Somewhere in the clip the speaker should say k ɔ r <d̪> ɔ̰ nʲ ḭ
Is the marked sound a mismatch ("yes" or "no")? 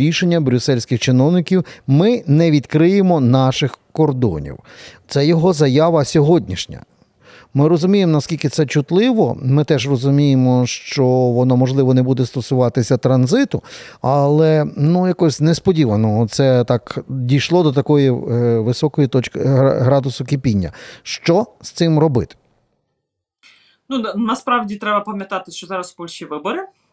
no